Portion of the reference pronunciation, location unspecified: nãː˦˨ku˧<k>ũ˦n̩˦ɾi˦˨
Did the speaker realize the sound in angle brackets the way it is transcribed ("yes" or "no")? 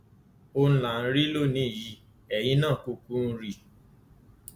yes